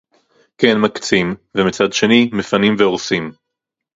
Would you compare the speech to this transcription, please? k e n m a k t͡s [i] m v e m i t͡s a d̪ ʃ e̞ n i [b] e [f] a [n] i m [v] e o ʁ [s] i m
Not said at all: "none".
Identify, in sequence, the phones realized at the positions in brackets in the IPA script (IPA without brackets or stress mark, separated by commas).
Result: i, m, f, n, v, s